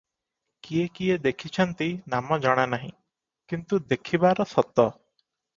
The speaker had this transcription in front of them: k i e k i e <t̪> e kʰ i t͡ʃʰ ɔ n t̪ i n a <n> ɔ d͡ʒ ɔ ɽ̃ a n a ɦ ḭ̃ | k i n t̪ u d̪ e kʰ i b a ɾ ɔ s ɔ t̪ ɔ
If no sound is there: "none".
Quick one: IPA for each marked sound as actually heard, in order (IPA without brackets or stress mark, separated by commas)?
d̪, m